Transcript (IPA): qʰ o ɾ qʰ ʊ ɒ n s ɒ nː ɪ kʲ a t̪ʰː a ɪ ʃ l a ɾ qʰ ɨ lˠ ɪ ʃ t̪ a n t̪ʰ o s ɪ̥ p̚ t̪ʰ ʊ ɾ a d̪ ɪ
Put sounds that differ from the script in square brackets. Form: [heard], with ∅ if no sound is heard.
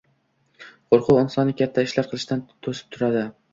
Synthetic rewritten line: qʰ o ɾ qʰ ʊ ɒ n s ɒ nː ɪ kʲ a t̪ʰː a ɪ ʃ l a ɾ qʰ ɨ lˠ ɪ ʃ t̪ a n t̪ʰ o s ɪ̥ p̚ t̪ʰ ʊ ɾ a d̪ ɪ